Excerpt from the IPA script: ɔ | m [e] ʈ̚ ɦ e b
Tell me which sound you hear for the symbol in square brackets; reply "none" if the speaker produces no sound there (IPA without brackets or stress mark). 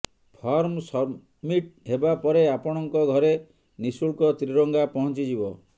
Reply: i